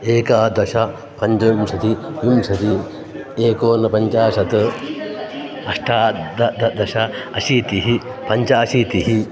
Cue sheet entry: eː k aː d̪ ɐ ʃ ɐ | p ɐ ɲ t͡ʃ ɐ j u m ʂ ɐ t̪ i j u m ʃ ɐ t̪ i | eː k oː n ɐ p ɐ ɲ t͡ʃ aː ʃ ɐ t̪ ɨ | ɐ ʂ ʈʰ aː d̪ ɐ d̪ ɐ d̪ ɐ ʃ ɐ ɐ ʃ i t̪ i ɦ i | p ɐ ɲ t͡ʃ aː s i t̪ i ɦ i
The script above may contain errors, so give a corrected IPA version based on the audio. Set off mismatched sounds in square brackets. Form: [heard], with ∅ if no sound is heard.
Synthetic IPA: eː k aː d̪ ɐ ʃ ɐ | p ɐ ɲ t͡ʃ ɐ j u m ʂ ɐ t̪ i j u m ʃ ɐ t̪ i | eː k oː n ɐ p ɐ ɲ t͡ʃ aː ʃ ɐ t̪ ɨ | ɐ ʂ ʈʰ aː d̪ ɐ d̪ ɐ d̪ ɐ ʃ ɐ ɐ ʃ i t̪ i ɦ i | p ɐ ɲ t͡ʃ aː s i t̪ i ɦ i